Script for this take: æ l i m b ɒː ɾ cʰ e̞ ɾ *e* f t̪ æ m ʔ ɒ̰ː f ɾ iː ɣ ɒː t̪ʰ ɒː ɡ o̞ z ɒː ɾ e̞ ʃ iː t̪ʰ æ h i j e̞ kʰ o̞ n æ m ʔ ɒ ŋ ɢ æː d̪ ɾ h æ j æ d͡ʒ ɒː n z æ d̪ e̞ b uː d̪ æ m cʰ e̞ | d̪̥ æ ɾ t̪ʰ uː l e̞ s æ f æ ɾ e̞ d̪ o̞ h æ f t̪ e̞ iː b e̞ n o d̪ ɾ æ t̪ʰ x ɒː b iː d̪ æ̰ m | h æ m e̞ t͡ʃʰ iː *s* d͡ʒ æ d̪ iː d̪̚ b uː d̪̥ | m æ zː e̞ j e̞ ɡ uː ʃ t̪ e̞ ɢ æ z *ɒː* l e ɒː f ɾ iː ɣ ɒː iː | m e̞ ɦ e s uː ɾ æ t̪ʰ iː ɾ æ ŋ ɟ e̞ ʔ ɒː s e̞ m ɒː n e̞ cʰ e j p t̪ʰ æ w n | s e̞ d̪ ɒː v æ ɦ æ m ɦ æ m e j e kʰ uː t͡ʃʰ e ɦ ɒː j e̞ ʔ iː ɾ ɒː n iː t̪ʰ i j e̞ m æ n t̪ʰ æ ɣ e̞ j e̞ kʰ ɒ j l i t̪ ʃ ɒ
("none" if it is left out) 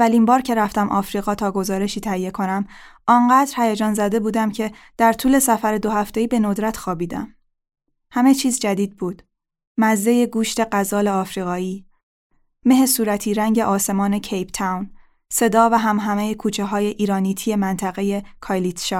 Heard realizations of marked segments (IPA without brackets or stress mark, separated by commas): æ, z, ɒː